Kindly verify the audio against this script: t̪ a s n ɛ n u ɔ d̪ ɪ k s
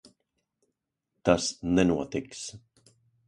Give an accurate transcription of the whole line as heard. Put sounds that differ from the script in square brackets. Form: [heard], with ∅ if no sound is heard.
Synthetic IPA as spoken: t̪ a s n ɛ n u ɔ [t̪] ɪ k s